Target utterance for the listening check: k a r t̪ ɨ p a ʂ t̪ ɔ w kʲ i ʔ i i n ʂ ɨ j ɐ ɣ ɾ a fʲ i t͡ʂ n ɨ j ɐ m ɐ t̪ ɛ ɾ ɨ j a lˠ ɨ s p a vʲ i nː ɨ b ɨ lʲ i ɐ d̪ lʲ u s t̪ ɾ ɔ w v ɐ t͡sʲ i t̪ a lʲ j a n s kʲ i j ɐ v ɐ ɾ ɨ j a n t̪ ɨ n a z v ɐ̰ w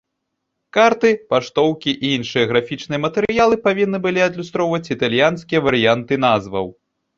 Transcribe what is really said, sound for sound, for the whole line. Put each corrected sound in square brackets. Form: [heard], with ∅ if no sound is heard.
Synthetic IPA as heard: k a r t̪ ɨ p a ʂ t̪ ɔ w kʲ i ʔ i i n ʂ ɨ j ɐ ɣ ɾ a fʲ i t͡ʂ n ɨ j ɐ m ɐ t̪ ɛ ɾ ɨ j a lˠ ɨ [∅] p a vʲ i nː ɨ b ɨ lʲ i ɐ d̪ lʲ u s t̪ ɾ ɔ w v ɐ t͡sʲ i t̪ a lʲ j a n s kʲ i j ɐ v ɐ ɾ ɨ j a n t̪ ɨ n a z v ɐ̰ w